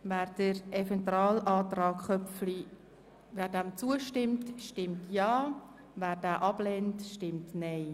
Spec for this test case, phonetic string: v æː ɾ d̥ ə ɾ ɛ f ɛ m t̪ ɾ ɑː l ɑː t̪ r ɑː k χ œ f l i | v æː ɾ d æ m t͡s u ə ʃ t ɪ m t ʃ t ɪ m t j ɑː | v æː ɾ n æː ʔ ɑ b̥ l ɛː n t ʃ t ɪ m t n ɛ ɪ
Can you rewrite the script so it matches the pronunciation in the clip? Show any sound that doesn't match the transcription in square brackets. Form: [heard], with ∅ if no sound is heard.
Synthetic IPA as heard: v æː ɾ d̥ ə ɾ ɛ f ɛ [n] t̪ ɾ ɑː l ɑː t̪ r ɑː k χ œ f l i | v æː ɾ d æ m t͡s u ə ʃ t ɪ m t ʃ t ɪ m t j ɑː | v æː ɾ [d] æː ʔ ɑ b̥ l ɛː n t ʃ t ɪ m t n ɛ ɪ